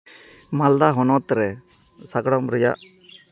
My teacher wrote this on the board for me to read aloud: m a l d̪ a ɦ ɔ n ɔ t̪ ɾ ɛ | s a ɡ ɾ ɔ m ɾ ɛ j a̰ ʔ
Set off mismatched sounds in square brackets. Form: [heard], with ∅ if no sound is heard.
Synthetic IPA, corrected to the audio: m a l d̪ a ɦ ɔ n ɔ t̪ ɾ ɛ | s a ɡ [ɽ] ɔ m ɾ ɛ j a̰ ʔ